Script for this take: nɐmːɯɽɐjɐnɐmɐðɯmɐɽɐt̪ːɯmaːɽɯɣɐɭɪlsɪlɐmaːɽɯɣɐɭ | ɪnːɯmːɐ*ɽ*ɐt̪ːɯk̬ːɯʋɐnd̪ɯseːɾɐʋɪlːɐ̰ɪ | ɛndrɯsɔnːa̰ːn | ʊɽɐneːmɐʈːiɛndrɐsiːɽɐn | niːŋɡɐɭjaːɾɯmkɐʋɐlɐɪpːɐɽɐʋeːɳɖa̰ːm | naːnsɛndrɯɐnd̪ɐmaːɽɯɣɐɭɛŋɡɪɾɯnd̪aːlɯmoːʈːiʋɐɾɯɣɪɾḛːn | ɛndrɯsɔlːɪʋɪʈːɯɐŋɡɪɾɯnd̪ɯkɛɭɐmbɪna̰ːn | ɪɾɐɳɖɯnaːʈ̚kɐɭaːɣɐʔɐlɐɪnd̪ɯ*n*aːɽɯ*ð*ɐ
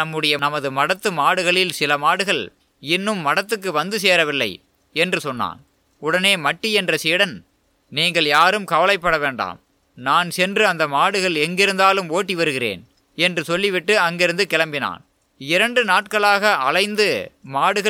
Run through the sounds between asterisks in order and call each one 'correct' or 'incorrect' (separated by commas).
correct, incorrect, incorrect